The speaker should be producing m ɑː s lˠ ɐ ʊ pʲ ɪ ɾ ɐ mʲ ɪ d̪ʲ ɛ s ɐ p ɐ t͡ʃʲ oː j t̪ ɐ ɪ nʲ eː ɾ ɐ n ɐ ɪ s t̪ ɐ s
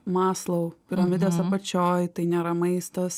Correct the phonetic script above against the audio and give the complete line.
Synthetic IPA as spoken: m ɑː s lˠ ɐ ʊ pʲ ɪ ɾ ɐ mʲ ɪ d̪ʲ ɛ s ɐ p ɐ t͡ʃʲ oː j t̪ ɐ ɪ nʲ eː ɾ ɐ m ɐ ɪ s t̪ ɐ s